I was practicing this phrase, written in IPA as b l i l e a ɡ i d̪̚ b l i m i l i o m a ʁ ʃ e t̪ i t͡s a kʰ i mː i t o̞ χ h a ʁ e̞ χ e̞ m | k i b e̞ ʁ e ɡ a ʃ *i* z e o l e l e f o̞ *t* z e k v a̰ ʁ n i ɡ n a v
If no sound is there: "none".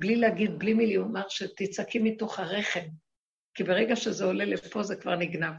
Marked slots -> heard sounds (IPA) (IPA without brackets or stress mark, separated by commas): e, none